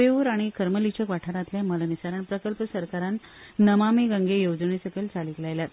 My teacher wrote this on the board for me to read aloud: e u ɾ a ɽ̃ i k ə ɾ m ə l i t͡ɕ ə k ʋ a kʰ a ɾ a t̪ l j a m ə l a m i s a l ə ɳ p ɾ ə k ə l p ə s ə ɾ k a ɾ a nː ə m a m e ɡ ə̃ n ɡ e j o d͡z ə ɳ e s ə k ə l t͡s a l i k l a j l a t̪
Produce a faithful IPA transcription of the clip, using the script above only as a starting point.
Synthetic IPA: e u ɾ a ɽ̃ i k ə ɾ m ə l i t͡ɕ ə k ʋ a ʈʰ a ɾ a t̪ l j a m ə l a n i s a ɾ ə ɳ p ɾ ə k ə l p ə s ə ɾ k a ɾ a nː ə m a m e ɡ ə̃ ŋ ɡ e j o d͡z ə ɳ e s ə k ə l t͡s a l i k l a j l a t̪